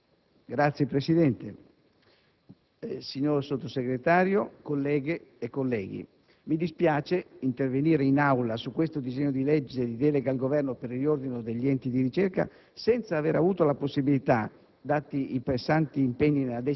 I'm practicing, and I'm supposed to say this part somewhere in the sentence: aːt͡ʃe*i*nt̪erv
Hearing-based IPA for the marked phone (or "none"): i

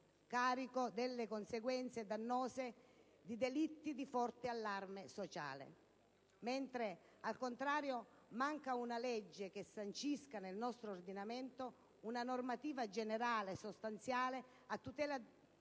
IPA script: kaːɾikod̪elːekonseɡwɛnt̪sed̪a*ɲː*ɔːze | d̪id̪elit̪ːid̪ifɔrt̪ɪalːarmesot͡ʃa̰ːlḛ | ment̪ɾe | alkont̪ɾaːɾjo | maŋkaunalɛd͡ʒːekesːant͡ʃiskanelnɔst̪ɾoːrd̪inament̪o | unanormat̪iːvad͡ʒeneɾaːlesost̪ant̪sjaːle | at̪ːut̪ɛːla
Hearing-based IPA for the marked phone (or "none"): nː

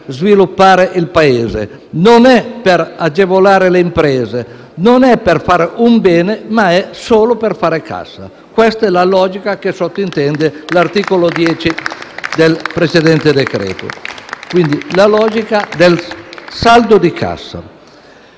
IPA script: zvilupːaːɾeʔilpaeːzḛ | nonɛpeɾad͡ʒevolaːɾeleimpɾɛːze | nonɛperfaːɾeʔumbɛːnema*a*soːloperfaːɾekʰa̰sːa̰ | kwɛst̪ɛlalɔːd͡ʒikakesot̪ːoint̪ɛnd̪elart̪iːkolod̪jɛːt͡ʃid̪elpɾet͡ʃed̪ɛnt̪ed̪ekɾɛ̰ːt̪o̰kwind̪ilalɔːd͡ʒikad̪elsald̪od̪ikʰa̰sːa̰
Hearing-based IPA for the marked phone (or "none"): ɛ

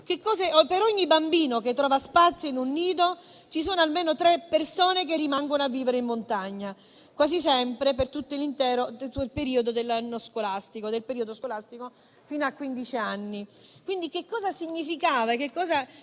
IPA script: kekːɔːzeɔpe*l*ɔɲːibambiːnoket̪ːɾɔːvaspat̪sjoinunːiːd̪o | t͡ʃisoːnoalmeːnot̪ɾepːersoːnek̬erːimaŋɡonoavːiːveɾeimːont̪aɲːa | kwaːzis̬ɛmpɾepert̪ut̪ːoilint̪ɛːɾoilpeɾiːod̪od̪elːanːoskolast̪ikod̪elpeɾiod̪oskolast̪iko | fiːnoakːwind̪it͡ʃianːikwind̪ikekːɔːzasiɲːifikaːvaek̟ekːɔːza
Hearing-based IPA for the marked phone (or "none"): ɾ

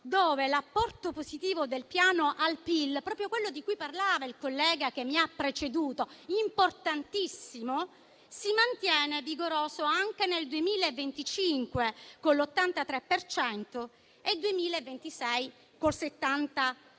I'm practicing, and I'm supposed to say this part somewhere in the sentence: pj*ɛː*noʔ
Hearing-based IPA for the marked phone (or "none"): aː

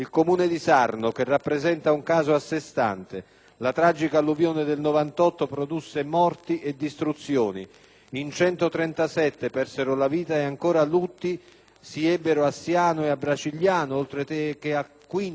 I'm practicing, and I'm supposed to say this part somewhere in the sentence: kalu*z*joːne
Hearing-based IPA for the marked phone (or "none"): v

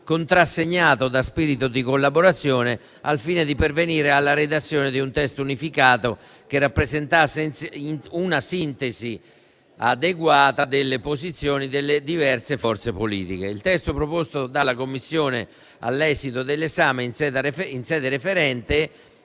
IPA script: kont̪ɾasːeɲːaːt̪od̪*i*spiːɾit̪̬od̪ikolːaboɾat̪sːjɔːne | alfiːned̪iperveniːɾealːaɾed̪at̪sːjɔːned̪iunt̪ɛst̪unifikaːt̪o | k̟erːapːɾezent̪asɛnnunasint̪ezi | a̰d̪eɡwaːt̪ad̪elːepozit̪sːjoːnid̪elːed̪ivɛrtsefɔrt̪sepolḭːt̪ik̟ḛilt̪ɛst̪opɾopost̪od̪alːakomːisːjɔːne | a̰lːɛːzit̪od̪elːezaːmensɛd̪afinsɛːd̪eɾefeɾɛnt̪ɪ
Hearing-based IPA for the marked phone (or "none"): a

